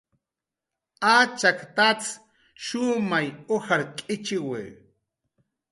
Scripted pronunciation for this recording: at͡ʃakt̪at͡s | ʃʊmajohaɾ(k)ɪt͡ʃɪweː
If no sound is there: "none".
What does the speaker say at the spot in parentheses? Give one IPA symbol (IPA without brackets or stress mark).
kʼ